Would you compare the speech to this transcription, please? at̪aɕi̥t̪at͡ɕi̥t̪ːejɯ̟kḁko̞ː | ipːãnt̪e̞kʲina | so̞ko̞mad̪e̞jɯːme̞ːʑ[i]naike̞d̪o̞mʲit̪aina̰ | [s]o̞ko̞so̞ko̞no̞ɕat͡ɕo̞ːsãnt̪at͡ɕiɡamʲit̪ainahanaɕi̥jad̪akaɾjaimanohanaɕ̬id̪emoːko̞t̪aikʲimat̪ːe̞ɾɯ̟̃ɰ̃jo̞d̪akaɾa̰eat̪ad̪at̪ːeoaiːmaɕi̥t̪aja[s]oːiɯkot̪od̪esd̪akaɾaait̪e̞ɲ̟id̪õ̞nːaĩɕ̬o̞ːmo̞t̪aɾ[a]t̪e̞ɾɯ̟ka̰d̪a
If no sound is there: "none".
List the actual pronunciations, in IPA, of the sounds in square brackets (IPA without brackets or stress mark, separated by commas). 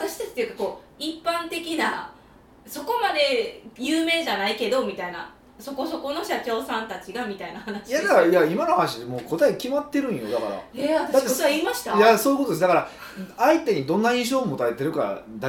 a, s, s, e